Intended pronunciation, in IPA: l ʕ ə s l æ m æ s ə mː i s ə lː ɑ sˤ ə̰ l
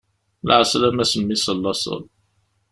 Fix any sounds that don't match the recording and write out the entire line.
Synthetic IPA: l ʕ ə s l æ m æ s ə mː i s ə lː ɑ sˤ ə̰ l